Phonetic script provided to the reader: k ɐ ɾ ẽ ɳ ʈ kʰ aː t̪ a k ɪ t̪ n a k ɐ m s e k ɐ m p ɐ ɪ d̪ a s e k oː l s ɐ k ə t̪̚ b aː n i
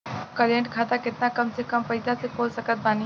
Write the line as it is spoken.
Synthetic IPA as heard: k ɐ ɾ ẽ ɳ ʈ kʰ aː t̪ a k ɪ t̪ n a k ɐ m s e k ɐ m p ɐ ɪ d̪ a s e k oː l s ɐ k ə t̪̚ b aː n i